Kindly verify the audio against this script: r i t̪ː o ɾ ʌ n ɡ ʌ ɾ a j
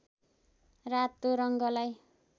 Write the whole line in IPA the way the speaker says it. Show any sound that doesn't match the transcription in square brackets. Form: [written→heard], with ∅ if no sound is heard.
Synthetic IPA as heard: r [i→a] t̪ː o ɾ ʌ [n→ŋ] ɡ ʌ [ɾ→l] a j